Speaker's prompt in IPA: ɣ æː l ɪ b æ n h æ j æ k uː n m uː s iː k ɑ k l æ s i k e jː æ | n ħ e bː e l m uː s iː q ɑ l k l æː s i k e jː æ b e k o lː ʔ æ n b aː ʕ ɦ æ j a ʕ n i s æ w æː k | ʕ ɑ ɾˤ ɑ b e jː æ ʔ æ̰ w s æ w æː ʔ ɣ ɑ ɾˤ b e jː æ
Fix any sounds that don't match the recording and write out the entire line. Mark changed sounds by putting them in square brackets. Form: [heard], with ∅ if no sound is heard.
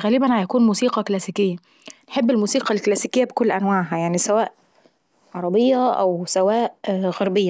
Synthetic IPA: ɣ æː l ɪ b æ n h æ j æ k uː n m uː s iː [q] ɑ k l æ s i k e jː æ | n ħ e bː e l m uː s iː q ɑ l k l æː s i k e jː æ b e k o lː ʔ æ n [w] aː ʕ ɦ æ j a ʕ n i s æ w æː [ʔ] | ʕ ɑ ɾˤ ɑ b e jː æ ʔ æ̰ w s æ w æː ʔ ɣ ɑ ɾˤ b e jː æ

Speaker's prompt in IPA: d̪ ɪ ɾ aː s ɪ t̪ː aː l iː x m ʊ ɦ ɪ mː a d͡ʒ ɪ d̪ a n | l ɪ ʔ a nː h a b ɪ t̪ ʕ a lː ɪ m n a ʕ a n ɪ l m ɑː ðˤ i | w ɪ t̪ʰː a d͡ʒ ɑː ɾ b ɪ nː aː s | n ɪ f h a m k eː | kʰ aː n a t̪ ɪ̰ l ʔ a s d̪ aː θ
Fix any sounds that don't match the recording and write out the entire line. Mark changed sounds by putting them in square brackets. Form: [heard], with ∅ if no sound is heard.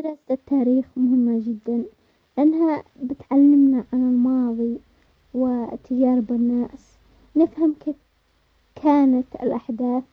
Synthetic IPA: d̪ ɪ ɾ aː s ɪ t̪ː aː [ɾ] iː x m ʊ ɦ ɪ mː a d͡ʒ ɪ [d̪ː] a n | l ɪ ʔ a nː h a b ɪ t̪ ʕ a lː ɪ m n a ʕ a n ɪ l m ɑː ðˤ i | w ɪ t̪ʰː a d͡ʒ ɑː ɾ b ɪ nː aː s | n ɪ f h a m k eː | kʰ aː n a t̪ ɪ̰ l ʔ a [ħ] d̪ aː θ

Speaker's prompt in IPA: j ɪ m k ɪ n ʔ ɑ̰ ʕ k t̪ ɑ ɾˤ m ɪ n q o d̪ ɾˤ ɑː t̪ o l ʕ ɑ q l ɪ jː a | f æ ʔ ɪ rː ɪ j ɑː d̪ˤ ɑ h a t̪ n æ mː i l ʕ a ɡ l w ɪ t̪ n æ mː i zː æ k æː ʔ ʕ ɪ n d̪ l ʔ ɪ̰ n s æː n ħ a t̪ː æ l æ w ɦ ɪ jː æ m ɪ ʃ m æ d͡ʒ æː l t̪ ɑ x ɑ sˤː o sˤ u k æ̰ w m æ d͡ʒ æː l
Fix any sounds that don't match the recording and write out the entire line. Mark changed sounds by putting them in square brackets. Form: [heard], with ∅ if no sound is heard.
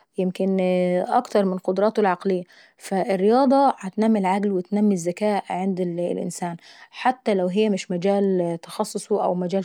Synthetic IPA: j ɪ m k ɪ n ʔ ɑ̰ [∅] k t̪ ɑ ɾˤ m ɪ n q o d̪ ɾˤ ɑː t̪ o l ʕ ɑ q l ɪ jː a | f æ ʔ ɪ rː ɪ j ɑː d̪ˤ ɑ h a t̪ n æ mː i l ʕ a ɡ l w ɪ t̪ n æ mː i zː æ k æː ʔ ʕ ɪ n d̪ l ʔ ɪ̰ n s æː n ħ a t̪ː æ l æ w ɦ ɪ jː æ m ɪ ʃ m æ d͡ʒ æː l t̪ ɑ x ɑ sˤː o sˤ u [ʔ] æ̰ w m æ d͡ʒ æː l

